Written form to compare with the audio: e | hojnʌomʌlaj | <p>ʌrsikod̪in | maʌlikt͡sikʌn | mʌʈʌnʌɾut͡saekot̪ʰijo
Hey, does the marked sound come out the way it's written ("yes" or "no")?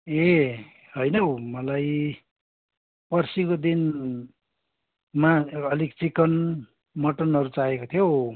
yes